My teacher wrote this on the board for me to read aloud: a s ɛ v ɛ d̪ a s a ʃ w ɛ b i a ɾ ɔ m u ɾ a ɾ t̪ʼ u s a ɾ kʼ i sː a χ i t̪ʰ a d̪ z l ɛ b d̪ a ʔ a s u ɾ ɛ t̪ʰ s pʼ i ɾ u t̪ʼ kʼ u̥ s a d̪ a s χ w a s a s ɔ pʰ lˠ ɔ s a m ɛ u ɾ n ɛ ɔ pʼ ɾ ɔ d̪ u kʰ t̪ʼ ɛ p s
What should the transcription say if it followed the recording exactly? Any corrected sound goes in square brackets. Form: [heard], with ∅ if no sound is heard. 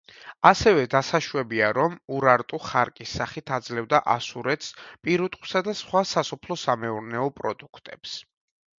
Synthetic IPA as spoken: a s ɛ v ɛ d̪ a s a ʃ w ɛ b i a ɾ ɔ m u ɾ a ɾ t̪ʼ u [χ] a ɾ kʼ i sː a χ i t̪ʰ a d̪ z l ɛ [v] d̪ a ʔ a s u ɾ ɛ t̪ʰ s pʼ i ɾ u t̪ʼ [qʼ] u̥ s a d̪ a s χ w a s a s ɔ pʰ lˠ ɔ s a m ɛ u ɾ n ɛ ɔ pʼ ɾ ɔ d̪ u kʰ t̪ʼ ɛ p s